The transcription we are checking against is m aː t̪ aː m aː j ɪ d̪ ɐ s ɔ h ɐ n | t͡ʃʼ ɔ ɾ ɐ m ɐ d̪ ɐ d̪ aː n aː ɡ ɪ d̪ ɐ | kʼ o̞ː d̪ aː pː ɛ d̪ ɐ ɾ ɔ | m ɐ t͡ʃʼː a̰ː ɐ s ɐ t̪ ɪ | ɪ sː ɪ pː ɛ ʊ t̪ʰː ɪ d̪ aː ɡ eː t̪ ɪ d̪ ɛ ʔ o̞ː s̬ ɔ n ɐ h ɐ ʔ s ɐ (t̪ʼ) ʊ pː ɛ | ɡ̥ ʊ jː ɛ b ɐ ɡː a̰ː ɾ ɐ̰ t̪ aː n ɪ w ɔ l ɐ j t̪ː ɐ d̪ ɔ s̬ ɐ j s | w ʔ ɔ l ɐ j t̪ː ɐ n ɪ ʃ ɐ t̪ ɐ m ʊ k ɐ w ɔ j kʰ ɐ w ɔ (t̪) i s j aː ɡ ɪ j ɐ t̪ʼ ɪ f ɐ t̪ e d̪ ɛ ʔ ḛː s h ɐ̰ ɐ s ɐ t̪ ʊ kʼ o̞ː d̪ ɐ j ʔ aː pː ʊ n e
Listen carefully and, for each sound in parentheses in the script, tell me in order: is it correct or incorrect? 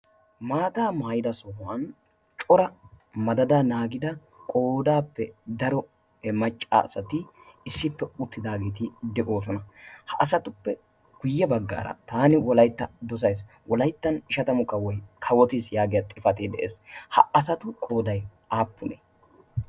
incorrect: t̪, correct

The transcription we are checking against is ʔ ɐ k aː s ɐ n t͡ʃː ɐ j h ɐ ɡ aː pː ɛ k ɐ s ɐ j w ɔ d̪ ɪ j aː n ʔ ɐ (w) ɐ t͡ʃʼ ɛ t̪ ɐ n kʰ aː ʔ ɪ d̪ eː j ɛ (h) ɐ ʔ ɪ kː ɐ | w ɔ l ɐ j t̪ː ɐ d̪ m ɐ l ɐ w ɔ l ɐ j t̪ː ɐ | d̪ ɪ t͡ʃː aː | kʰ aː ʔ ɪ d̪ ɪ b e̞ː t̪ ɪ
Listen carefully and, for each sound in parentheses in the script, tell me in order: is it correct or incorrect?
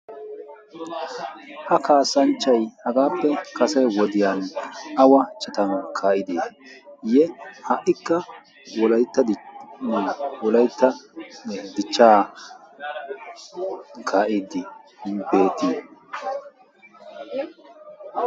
correct, correct

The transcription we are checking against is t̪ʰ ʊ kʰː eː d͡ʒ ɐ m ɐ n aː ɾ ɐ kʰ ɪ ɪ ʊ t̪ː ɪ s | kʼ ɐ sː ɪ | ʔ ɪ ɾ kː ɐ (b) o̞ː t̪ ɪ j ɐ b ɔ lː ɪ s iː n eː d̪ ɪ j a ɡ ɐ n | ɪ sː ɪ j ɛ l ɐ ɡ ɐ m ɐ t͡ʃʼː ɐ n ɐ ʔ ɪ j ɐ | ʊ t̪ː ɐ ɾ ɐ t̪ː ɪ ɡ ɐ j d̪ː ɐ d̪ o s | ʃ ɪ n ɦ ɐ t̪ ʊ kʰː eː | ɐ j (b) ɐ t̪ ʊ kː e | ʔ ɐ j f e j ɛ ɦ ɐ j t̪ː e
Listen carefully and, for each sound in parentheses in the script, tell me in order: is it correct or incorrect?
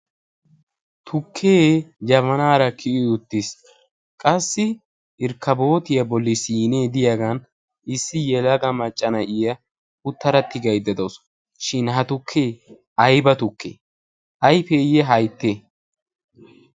correct, correct

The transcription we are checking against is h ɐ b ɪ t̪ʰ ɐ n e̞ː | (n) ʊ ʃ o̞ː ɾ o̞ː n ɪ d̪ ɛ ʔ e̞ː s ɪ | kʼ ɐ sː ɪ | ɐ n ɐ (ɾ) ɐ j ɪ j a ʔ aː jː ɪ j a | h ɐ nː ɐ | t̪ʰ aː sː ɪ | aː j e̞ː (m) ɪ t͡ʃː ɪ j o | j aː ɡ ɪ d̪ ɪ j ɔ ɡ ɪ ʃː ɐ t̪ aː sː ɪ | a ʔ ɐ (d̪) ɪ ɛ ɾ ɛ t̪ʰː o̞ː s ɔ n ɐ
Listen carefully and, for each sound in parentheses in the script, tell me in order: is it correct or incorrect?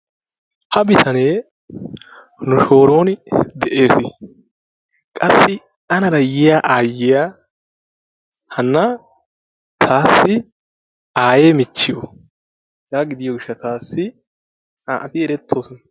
correct, correct, correct, incorrect: t̪

